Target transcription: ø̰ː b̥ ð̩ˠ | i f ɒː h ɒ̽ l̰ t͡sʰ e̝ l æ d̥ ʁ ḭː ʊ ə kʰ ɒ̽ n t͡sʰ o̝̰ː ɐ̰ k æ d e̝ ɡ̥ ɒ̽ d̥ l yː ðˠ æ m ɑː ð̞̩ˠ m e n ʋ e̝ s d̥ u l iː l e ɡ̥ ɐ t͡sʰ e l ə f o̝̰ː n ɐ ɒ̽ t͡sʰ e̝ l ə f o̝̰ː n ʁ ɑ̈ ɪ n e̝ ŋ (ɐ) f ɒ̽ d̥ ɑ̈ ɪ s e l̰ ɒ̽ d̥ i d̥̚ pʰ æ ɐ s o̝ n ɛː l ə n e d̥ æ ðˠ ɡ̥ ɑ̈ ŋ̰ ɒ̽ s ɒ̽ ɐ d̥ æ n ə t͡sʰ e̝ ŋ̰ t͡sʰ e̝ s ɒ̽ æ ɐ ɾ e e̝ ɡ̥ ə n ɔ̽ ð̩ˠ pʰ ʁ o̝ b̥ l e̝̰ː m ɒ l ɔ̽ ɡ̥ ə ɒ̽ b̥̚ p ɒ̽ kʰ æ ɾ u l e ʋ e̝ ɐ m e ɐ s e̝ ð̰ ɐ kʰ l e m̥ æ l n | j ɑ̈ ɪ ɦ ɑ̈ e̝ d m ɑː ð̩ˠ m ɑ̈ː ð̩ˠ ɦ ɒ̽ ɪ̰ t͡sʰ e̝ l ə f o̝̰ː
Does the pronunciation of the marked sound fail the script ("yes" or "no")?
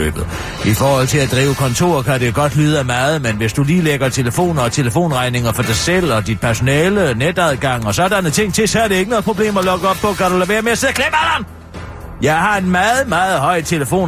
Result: no